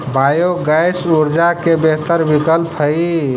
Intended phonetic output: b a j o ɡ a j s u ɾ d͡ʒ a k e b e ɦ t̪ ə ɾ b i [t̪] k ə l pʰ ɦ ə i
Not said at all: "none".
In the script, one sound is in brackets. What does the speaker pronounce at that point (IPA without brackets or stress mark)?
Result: none